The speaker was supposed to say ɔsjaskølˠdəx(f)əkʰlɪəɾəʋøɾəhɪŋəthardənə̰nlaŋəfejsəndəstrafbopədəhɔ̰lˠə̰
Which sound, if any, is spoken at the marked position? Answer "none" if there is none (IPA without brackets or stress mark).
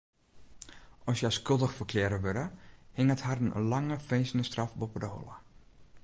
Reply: f